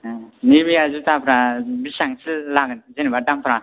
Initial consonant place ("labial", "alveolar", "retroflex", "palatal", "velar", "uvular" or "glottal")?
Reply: alveolar